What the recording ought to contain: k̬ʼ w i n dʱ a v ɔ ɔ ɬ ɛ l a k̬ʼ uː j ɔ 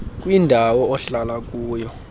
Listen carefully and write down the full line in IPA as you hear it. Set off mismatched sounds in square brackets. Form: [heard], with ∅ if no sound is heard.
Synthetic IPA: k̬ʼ w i n dʱ a [w] ɔ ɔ ɬ [a] l a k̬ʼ uː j ɔ